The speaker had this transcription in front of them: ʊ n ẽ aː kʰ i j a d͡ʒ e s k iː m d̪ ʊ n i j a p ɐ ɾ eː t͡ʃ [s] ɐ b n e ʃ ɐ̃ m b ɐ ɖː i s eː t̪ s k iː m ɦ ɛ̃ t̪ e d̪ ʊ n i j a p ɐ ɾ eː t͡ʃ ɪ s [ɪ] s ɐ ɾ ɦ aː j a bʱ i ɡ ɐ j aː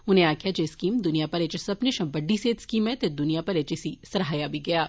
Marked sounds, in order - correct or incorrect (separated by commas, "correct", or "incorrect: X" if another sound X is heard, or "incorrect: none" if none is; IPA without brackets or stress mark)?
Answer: correct, incorrect: i